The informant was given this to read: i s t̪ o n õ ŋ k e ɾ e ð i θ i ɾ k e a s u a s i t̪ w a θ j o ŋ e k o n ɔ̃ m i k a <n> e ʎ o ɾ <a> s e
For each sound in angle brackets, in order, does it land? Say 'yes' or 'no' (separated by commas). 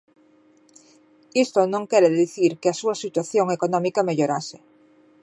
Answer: no, yes